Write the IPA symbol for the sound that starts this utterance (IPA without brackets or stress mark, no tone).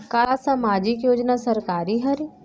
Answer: k